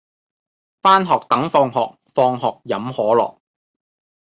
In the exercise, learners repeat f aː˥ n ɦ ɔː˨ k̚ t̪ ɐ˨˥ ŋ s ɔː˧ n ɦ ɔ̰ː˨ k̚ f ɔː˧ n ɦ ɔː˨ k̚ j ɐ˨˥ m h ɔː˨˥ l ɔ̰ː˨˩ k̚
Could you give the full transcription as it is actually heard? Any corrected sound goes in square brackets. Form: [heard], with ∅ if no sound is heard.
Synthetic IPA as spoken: f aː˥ n ɦ ɔː˨ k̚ t̪ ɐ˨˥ ŋ [f] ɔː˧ [ŋ] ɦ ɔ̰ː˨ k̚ f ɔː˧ [ŋ] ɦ ɔː˨ k̚ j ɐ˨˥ m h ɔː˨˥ l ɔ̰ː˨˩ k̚